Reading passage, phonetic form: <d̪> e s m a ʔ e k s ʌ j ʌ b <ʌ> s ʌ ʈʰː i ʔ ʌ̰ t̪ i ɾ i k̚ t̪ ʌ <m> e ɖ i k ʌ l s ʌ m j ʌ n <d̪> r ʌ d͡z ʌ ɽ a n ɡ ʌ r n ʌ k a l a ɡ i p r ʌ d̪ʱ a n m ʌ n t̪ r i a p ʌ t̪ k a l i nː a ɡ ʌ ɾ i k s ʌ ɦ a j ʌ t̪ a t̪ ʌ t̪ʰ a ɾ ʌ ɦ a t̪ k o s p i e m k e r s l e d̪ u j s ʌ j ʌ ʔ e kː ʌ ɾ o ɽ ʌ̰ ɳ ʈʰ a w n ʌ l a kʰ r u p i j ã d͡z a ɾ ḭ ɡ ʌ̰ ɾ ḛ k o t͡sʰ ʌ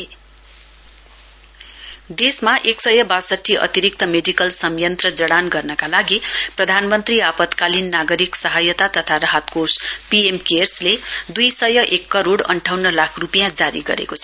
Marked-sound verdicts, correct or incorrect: correct, incorrect: a, correct, incorrect: t̪

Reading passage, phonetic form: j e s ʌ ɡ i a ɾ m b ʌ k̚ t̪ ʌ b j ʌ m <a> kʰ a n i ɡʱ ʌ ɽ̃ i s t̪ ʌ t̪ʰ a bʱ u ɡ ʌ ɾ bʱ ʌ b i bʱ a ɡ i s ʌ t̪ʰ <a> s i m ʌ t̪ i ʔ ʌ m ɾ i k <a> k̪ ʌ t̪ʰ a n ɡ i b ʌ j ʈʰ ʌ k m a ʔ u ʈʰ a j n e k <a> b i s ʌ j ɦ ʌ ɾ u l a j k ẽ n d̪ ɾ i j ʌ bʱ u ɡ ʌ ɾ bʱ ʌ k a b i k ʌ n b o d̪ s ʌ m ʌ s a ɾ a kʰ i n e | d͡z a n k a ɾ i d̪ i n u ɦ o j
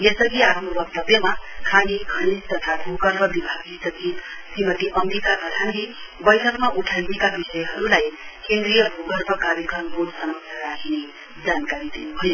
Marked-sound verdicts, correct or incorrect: correct, incorrect: i, correct, correct

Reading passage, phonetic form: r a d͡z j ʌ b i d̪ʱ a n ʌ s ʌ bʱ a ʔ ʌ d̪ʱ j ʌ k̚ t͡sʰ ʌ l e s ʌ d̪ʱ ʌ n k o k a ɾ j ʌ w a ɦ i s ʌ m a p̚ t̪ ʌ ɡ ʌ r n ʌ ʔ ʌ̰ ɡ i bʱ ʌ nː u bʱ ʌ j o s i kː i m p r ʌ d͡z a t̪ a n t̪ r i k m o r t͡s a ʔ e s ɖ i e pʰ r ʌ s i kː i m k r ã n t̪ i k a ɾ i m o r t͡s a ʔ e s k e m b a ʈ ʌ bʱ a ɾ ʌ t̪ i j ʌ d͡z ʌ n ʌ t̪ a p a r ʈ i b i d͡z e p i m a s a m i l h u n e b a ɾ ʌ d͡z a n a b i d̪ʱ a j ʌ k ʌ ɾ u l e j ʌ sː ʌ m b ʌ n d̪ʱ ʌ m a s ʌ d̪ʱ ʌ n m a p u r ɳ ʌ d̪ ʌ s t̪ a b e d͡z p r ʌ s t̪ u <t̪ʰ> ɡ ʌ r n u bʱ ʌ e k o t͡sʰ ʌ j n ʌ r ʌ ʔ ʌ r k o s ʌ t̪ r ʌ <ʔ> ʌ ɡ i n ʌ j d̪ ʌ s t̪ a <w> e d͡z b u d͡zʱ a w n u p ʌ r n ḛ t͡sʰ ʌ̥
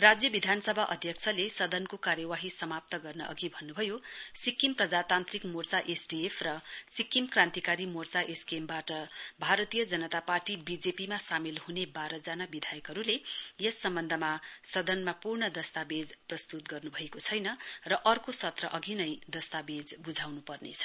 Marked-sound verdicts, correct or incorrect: incorrect: t̪, correct, incorrect: b

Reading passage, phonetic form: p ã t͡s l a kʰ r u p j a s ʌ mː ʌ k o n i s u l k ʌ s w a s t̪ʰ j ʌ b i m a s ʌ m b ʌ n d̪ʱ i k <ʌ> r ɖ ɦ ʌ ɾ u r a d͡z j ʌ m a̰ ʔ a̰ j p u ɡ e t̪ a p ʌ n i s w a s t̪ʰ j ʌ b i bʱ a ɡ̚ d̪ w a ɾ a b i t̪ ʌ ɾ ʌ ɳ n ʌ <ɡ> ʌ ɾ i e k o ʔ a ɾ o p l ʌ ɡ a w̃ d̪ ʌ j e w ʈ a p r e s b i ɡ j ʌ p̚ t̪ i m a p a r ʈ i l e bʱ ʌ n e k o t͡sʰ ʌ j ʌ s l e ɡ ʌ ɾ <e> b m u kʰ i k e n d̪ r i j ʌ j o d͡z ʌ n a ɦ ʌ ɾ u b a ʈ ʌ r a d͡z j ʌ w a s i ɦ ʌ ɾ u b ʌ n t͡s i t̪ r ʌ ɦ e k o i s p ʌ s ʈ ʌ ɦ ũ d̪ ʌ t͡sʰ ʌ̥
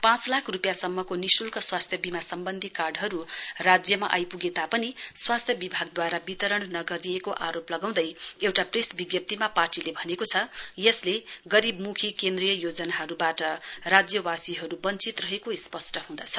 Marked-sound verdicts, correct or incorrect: incorrect: a, correct, incorrect: i

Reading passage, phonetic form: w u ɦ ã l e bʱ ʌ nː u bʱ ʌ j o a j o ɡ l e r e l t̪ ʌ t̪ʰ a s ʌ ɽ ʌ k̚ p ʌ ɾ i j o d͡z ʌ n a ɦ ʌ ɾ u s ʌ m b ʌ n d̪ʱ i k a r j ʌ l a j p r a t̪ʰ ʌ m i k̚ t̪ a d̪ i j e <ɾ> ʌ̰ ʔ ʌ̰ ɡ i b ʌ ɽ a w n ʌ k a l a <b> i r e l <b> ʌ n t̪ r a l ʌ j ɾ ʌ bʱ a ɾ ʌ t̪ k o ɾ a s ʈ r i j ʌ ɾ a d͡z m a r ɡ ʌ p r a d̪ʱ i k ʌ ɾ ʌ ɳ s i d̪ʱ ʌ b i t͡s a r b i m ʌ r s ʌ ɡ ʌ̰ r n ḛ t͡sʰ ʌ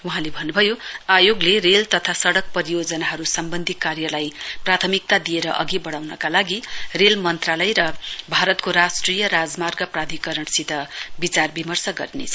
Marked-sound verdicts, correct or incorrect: correct, incorrect: ɡ, incorrect: m

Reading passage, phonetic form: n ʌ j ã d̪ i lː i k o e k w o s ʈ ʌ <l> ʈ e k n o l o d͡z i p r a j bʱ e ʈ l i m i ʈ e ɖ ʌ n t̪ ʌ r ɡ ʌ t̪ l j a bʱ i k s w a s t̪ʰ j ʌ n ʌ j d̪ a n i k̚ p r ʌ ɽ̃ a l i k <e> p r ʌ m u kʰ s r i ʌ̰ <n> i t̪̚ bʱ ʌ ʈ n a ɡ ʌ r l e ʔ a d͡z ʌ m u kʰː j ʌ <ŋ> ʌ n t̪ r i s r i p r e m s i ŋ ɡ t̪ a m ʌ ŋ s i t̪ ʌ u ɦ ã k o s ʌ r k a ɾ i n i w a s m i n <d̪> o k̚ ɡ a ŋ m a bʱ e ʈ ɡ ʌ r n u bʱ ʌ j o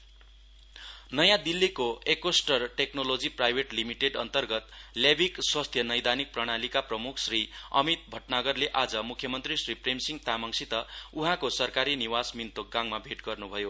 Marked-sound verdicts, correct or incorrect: incorrect: r, incorrect: a, incorrect: m, incorrect: m, incorrect: t̪

